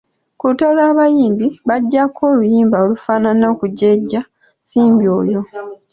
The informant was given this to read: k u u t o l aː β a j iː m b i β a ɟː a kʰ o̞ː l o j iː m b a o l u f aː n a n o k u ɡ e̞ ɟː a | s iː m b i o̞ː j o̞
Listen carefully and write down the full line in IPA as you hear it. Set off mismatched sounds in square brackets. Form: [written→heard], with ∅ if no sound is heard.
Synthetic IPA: k u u t o l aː β a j iː m b i β a ɟː a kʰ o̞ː l [o→u] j iː m b a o l u f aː n a n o k u [ɡ→ɟ] e̞ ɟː a | s iː m b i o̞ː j o̞